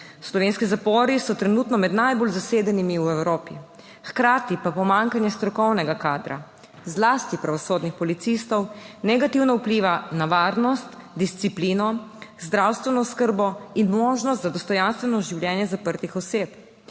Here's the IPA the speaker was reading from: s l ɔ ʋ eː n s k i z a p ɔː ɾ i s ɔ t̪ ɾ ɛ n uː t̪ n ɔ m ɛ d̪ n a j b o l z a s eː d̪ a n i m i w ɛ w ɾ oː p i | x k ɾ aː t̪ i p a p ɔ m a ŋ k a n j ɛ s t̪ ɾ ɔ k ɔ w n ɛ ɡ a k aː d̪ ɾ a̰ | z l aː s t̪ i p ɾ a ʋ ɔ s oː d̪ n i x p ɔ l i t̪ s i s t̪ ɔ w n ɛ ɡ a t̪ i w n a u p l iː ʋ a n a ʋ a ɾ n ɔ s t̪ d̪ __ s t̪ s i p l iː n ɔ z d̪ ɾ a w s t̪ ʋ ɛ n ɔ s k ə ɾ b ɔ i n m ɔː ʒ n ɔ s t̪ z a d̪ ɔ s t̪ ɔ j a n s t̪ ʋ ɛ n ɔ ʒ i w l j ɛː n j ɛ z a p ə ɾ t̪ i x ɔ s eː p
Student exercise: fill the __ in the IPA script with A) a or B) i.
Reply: B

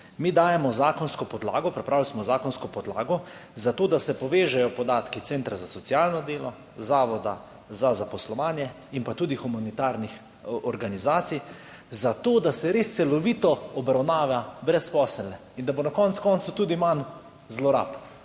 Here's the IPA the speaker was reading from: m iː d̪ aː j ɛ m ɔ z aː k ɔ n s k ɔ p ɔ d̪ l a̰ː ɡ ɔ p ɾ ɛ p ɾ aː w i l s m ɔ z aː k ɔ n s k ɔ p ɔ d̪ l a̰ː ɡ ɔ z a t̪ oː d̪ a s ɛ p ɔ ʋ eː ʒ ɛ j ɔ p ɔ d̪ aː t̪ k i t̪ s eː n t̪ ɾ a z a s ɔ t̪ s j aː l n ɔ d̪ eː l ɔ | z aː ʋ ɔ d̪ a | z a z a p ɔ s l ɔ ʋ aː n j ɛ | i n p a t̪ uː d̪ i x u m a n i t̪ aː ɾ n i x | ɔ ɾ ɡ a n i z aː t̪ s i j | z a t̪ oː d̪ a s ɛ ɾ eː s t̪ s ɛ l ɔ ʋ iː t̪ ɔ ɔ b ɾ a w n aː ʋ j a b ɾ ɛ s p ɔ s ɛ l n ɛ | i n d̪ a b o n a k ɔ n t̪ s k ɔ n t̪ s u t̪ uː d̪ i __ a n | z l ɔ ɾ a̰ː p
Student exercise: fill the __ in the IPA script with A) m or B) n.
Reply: A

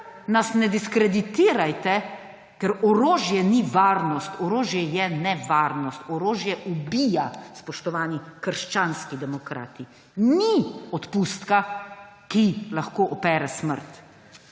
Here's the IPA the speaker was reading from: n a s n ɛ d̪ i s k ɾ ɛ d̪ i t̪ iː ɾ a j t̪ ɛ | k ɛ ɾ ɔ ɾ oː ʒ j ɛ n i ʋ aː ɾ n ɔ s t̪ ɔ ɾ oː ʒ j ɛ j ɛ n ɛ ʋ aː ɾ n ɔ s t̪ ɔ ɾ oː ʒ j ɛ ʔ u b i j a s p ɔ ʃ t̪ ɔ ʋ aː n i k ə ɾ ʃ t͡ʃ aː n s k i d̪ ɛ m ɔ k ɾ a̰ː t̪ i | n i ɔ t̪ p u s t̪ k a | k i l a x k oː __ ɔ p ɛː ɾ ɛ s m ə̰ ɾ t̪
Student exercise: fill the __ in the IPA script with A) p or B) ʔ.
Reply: B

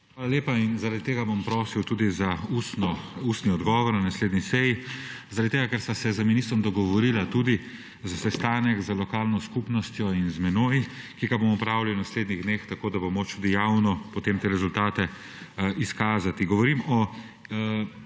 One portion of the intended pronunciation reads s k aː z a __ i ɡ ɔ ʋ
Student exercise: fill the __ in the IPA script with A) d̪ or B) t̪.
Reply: B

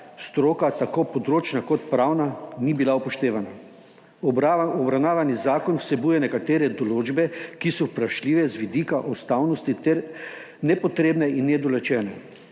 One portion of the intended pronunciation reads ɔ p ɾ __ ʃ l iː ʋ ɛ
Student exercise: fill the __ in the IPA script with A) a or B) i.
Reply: A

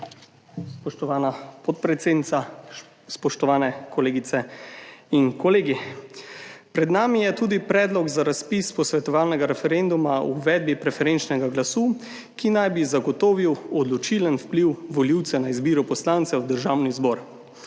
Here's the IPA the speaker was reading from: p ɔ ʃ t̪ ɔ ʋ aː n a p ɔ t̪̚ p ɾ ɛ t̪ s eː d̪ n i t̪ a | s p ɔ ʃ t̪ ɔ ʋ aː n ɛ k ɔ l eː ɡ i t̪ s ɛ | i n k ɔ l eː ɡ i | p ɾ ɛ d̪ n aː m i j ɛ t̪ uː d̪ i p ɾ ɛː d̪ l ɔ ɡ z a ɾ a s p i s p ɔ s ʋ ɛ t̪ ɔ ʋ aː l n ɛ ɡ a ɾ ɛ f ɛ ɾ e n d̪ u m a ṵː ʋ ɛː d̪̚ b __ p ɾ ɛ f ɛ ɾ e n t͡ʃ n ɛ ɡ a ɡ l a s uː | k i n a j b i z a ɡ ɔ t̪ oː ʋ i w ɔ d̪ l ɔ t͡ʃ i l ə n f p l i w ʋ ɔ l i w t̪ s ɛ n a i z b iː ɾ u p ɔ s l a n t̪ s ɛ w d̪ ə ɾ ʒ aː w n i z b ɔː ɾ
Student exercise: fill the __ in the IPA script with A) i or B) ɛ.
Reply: A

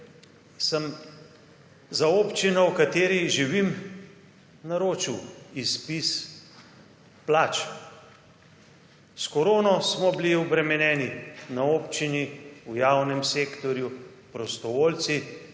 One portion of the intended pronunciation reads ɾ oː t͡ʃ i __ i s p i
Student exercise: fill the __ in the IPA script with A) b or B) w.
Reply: B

